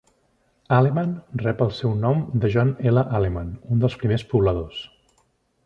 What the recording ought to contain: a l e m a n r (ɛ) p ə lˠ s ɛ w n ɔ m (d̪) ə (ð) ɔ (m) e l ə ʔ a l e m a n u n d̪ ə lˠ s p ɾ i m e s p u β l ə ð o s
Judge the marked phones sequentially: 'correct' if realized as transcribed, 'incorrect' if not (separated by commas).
correct, correct, incorrect, incorrect